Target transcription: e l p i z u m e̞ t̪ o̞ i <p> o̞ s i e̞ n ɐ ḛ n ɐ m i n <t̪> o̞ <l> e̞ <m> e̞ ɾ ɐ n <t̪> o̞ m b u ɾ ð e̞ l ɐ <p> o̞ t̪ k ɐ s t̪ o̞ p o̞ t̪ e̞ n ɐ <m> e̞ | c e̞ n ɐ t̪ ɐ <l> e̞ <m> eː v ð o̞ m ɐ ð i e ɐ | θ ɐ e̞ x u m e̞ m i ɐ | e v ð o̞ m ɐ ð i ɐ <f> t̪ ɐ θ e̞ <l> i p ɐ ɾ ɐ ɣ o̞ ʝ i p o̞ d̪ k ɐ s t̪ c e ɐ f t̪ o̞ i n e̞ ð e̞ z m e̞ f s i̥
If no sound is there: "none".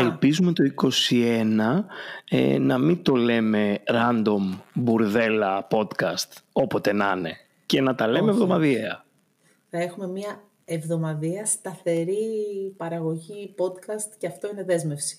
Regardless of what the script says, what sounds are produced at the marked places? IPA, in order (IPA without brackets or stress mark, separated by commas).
k, t̪, l, m, d̪, p, n, l, m, s, ɾ